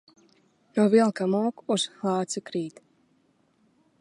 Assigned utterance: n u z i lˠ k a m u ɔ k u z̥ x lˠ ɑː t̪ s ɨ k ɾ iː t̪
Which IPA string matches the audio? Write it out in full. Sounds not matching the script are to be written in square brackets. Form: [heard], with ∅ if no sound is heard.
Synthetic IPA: n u [v] i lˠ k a m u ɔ k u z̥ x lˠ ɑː t̪ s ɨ k ɾ iː t̪